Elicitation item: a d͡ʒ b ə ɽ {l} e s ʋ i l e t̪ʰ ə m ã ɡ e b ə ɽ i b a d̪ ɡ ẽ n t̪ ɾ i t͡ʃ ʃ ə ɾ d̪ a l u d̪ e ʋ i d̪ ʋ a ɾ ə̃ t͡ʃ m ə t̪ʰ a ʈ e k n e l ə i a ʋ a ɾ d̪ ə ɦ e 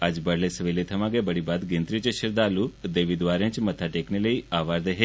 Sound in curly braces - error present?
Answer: no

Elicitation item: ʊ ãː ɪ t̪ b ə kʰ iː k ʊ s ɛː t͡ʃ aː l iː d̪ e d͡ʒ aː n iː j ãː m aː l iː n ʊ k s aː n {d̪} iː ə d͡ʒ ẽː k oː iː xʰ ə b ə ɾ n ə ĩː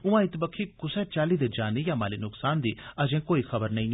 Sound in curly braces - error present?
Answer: no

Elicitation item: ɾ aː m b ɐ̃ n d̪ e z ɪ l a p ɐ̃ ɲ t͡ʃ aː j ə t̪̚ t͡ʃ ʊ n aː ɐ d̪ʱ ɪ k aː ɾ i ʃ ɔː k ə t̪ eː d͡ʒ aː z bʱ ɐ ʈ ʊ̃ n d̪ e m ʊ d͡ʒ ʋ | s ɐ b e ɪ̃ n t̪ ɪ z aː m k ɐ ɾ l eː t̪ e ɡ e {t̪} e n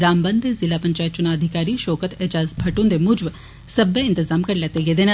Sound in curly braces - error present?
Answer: yes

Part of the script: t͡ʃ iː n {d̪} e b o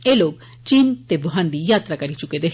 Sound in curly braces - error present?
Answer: yes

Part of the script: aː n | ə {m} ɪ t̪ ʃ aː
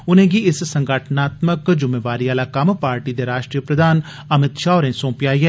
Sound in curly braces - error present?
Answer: no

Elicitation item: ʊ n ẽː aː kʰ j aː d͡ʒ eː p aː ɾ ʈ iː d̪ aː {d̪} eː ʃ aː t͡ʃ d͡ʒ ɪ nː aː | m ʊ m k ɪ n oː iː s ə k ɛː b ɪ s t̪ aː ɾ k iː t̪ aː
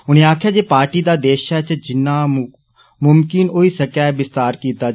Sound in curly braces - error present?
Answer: no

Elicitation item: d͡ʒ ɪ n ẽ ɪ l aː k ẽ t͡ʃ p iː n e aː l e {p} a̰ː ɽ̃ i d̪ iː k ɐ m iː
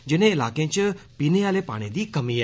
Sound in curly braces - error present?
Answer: no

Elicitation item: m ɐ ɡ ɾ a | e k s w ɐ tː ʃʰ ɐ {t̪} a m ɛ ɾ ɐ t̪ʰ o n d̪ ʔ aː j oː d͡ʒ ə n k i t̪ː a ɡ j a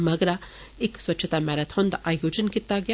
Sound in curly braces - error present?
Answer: no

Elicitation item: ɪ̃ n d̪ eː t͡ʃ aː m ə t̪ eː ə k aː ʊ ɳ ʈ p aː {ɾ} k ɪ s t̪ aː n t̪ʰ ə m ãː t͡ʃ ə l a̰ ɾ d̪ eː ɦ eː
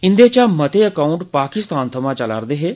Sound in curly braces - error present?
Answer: yes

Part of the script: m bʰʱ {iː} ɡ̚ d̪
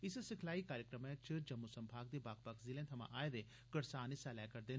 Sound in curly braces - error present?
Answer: yes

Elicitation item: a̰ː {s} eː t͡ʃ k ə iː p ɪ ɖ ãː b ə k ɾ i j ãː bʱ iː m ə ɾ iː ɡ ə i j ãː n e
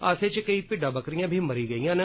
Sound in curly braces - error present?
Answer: no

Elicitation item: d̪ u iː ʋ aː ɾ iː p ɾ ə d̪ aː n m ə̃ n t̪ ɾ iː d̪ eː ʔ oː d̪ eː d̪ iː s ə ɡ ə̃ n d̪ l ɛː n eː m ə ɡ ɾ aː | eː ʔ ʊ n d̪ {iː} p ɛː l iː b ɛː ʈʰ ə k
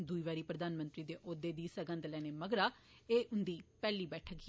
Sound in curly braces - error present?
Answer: no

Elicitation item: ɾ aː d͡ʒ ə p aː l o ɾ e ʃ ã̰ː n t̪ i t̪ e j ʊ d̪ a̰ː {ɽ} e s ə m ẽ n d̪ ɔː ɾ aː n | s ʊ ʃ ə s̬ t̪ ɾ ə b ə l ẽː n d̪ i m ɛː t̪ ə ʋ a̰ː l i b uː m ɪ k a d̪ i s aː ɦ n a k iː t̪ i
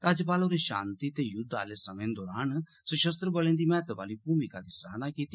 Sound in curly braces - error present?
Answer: yes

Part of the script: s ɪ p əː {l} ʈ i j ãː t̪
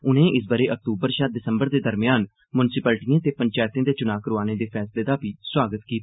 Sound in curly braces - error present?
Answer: no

